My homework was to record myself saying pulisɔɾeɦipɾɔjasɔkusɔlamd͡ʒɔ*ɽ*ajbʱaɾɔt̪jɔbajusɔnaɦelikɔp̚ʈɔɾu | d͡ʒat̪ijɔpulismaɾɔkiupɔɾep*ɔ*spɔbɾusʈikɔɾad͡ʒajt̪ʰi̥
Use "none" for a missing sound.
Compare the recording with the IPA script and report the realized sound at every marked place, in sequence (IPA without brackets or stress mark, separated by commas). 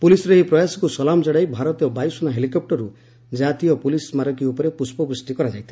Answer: ɽ, u